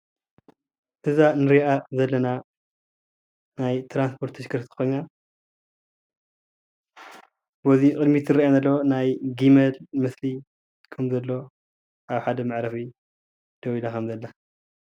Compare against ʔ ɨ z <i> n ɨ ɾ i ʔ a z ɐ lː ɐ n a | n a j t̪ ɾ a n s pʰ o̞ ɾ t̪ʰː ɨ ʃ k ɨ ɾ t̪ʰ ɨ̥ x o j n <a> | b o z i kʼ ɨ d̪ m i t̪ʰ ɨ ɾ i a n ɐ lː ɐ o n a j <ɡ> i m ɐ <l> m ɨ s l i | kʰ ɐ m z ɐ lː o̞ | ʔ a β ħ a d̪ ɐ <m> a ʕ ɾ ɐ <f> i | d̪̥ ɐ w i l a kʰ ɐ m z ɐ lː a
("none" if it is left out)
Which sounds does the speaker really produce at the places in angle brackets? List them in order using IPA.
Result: a, a, ɡ, l, m, f

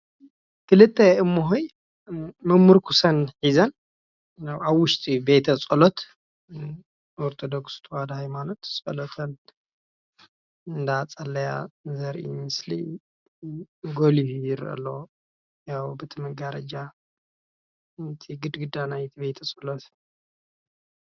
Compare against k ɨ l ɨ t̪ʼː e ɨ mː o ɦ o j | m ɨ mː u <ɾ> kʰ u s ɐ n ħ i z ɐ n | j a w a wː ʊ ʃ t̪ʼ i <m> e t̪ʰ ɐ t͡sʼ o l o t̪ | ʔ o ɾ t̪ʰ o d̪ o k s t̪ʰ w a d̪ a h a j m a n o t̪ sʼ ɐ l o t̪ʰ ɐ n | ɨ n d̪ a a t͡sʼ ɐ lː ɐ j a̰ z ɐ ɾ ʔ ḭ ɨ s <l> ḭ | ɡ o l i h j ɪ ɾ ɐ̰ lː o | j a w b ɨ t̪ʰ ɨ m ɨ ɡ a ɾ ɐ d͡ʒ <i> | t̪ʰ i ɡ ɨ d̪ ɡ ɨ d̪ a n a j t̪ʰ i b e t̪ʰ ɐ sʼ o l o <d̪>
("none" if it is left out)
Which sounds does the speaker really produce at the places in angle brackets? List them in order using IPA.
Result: ɾ, b, l, a, t̪

